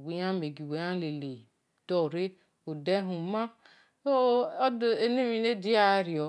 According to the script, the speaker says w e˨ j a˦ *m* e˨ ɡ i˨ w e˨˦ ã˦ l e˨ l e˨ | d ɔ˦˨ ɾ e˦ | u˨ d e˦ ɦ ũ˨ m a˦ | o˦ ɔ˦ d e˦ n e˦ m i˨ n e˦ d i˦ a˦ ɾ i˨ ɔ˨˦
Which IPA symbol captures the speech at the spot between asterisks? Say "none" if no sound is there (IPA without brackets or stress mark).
m